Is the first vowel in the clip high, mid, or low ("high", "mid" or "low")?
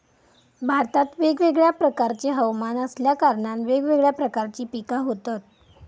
low